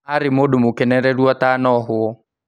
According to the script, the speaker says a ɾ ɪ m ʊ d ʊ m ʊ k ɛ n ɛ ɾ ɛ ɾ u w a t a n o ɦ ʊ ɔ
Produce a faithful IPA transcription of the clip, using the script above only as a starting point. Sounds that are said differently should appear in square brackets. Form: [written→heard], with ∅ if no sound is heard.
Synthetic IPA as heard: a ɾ ɪ m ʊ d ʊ m ʊ k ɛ n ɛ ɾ ɛ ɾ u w a t a n [o→ɔ] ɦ ʊ ɔ

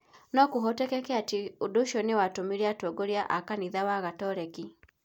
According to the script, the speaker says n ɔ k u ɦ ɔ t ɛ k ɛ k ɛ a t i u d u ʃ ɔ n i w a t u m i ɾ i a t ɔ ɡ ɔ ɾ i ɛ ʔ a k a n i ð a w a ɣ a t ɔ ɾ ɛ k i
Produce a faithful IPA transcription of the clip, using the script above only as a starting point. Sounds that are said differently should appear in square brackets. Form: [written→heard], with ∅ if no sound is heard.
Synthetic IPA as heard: n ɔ k u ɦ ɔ t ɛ k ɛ k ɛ a t i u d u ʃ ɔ n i w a t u m i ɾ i a t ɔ ɡ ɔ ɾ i [ɛ→a] ʔ a k a n i ð a w a ɣ a t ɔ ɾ ɛ k i

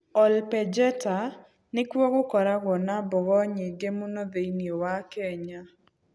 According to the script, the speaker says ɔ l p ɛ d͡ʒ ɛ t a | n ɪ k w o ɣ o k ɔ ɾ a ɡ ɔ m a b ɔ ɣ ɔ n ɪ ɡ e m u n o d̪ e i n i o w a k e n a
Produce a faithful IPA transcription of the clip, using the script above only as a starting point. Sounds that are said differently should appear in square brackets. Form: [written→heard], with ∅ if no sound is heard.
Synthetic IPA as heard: ɔ l p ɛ d͡ʒ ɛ t a | n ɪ k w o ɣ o k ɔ ɾ a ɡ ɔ [m→n] a b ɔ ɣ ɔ [n→ɲ] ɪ ɡ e m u n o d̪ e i n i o w a k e [n→ɲ] a

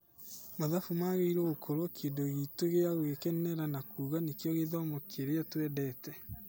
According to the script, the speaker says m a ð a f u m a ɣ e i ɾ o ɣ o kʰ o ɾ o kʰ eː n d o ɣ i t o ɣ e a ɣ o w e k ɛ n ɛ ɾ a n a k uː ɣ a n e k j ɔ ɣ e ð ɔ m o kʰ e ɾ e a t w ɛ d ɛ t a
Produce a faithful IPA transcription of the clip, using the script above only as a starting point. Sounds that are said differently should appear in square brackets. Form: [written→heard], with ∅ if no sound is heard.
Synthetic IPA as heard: m a ð a f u m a ɣ e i ɾ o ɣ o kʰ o ɾ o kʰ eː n d o ɣ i t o ɣ e a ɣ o [w→ɣ] e k ɛ n ɛ ɾ a n a k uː ɣ a n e k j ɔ ɣ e ð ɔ m o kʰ e ɾ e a t w ɛ d ɛ t [a→ɛ]

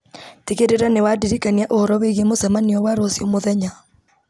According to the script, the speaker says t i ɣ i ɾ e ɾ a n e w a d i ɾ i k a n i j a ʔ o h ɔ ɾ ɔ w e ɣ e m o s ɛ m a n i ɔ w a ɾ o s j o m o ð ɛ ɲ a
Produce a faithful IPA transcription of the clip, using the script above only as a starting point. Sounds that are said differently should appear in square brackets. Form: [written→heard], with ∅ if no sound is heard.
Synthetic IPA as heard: t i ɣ [i→e] ɾ e ɾ a n e w a d i ɾ i k a n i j a ʔ o h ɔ ɾ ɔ w e ɣ e m o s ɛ m a n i ɔ w a ɾ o s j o m o ð ɛ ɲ a

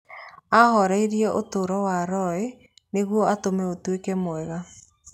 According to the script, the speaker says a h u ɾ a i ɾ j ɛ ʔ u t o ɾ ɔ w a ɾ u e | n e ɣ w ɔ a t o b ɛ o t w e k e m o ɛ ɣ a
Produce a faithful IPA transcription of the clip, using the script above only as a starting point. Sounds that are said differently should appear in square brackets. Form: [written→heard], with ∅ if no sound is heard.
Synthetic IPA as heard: a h [u→ɔ] ɾ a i ɾ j ɛ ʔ [u→o] t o ɾ ɔ w a ɾ [u→ɔ] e | n e ɣ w ɔ a t o [b→m] ɛ o t w e k [e→ɛ] m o ɛ ɣ a

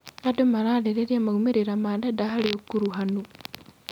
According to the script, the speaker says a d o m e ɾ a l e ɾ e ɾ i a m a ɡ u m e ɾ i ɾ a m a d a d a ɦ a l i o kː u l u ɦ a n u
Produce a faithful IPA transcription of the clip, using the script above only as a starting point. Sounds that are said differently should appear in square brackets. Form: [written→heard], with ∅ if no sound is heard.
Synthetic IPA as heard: a d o m [e→a] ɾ a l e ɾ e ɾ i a m a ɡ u m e ɾ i ɾ a m a d a d a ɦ a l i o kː u [l→ɾ] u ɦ a n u

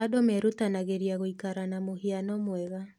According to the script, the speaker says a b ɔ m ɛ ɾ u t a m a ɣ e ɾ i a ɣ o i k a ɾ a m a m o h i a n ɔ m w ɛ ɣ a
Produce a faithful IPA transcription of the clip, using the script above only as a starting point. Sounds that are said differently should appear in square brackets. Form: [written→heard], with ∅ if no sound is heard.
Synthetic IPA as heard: a [b→d] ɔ m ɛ ɾ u t a [m→n] a ɣ e ɾ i a ɣ o i k a ɾ a [m→n] a m o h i a n ɔ m w ɛ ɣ a

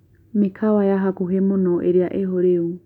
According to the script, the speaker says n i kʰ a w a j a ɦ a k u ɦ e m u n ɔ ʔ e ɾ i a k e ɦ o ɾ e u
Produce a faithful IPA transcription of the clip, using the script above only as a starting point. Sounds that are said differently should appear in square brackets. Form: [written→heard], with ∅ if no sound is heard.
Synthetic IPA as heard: [n→m] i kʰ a w a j a ɦ a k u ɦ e m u n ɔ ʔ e ɾ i a [k→ʔ] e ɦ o ɾ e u

